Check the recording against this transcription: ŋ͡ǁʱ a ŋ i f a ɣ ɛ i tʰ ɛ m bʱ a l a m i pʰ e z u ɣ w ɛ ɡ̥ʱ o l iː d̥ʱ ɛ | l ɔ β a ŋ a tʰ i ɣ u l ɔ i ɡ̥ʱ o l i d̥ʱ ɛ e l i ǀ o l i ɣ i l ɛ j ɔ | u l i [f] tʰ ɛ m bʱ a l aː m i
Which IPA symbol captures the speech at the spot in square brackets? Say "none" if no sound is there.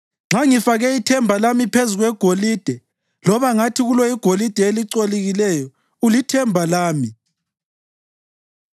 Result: none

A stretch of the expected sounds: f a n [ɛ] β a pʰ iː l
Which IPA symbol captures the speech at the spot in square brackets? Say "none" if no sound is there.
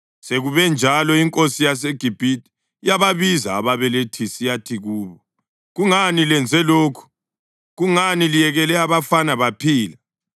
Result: a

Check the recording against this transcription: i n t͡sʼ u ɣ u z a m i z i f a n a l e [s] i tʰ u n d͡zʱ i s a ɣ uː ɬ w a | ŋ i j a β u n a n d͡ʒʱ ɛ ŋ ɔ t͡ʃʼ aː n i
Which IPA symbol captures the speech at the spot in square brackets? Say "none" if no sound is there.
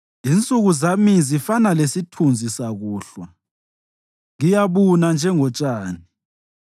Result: s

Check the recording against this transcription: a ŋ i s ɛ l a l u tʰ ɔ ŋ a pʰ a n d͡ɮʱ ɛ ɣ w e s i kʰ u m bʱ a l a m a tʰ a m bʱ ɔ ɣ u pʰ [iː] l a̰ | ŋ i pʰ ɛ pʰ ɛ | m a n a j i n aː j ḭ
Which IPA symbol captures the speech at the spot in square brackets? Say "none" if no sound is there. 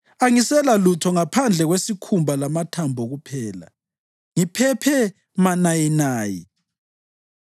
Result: ɛː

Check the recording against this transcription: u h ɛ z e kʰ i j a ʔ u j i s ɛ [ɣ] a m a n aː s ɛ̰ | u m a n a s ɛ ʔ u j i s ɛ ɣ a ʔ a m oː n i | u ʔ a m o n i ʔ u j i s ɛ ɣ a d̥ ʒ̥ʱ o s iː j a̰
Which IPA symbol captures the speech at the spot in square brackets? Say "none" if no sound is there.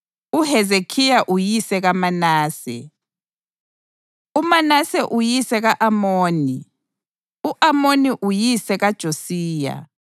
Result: ɣ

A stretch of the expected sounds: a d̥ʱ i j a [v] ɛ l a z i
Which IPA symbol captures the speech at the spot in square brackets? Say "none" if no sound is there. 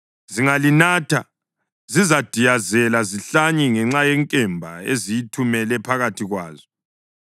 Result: z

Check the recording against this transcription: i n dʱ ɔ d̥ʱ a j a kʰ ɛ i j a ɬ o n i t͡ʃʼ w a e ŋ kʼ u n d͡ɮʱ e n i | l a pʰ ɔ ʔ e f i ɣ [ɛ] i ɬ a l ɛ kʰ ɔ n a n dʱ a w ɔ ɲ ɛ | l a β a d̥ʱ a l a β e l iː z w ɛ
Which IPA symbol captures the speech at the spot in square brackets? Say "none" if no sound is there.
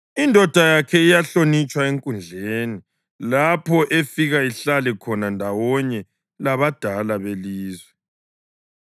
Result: a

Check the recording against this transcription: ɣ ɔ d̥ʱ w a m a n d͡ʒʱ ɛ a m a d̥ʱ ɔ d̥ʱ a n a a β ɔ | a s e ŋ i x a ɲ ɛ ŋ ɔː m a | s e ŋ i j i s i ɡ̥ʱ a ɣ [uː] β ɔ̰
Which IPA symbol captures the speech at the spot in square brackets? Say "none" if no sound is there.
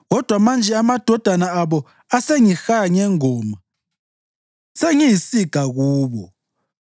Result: uː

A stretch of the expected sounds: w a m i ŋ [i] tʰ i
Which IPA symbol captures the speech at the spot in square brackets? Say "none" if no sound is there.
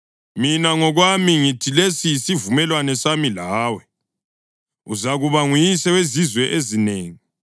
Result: i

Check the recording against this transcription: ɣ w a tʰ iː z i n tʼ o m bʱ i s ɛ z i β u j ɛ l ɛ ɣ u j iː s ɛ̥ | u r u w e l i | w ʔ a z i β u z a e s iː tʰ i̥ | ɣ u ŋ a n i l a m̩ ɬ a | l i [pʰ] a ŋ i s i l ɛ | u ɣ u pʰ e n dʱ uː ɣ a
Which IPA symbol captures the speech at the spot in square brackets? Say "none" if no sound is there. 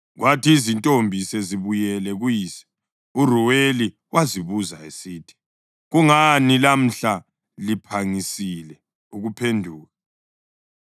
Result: pʰ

